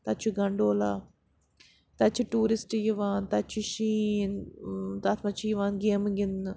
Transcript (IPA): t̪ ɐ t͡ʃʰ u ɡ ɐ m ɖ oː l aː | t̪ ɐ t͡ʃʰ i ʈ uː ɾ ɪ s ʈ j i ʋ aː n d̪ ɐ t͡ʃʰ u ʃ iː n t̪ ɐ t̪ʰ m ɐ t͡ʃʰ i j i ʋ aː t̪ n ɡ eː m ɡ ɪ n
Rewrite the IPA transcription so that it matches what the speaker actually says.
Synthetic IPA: t̪ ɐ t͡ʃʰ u ɡ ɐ ɳ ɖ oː l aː | t̪ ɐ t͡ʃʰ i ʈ uː ɾ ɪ s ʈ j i ʋ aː n t̪ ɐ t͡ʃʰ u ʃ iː n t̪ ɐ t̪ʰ m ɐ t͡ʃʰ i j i ʋ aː n ɡ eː m ɡ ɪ n